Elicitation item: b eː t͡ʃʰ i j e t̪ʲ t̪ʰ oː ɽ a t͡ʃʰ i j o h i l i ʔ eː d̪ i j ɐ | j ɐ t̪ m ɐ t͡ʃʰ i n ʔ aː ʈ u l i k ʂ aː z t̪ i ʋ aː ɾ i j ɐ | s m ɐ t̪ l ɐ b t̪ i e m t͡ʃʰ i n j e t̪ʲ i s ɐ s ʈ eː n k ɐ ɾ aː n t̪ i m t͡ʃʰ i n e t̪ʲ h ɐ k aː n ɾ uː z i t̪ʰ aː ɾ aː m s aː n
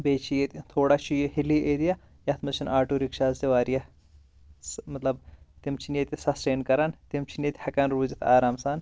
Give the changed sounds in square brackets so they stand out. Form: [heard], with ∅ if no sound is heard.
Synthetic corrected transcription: b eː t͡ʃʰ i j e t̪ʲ t̪ʰ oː ɽ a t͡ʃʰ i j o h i l i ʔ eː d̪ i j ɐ | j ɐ t̪ m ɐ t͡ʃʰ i n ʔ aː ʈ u [ɾ] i k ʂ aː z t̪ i ʋ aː ɾ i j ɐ | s m ɐ t̪ l ɐ b t̪ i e m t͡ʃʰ i n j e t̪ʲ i s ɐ s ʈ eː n k ɐ ɾ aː n t̪ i m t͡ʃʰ i n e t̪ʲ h ɐ k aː n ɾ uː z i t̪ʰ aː ɾ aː m s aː n